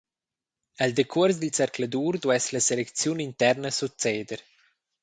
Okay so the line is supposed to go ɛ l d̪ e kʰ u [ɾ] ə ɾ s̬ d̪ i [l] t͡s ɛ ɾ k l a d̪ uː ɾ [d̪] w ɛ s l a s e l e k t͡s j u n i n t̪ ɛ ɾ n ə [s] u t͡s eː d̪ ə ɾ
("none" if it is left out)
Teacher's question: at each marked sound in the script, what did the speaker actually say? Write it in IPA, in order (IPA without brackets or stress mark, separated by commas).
none, l, d̪, s